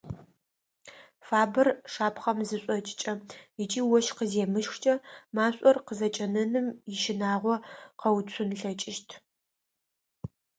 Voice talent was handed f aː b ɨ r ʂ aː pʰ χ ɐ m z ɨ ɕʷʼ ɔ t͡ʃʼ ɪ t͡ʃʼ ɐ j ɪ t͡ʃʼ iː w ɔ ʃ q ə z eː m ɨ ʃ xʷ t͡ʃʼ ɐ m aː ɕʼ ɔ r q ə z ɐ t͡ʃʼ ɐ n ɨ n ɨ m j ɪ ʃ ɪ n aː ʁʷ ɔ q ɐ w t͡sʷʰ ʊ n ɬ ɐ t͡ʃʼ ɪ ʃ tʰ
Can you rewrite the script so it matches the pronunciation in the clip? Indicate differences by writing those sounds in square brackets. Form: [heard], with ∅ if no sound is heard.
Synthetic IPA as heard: f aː b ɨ r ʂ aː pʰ χ ɐ m z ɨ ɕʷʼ ɔ t͡ʃʼ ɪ t͡ʃʼ ɐ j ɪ t͡ʃʼ iː w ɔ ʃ q ə z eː m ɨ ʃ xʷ t͡ʃʼ ɐ m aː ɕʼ ɔ r q ə z ɐ t͡ʃʼ ɐ n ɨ n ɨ m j ɪ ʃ ɪ n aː ʁʷ ɔ q ɐ w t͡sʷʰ ʊ n ɬ ɐ t͡ʃʼ ɪ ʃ tʰ